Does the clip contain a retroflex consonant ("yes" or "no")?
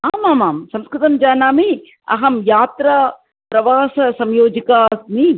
no